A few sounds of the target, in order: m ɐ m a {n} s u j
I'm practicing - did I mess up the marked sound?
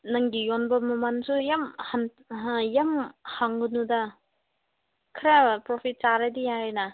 no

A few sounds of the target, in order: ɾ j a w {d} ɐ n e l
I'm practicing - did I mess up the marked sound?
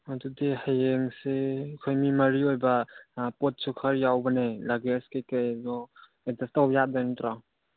yes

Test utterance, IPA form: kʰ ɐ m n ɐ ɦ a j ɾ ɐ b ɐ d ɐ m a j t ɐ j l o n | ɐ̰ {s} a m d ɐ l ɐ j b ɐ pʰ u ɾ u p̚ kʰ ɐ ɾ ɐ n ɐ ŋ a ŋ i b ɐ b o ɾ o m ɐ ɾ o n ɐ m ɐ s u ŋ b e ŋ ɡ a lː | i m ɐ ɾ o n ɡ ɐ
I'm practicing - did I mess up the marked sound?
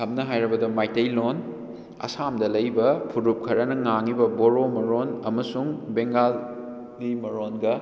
no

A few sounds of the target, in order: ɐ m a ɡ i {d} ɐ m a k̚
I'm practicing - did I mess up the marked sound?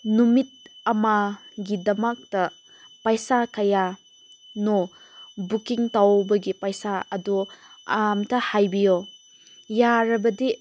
no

